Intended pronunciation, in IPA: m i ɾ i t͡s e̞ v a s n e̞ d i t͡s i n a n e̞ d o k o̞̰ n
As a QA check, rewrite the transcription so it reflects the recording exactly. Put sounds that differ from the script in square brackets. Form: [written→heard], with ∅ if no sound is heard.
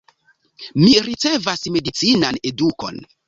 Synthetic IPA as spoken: m i ɾ i t͡s e̞ v a s [n→m] e̞ d i t͡s i n a n e̞ d [o→u] k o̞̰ n